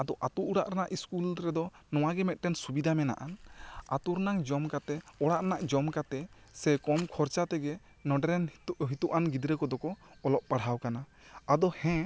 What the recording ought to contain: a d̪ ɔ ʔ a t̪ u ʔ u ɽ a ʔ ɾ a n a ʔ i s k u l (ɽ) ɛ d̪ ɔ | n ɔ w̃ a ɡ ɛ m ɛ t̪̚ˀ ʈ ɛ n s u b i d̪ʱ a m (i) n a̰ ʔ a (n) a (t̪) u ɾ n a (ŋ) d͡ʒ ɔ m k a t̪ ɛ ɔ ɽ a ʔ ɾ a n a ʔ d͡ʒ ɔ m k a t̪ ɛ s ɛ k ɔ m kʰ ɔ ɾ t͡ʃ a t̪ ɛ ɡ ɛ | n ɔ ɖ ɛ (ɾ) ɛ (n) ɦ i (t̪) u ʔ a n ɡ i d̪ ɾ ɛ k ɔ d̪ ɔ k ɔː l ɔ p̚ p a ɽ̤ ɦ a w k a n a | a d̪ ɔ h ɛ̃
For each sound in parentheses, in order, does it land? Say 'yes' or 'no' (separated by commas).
no, no, yes, yes, yes, yes, yes, yes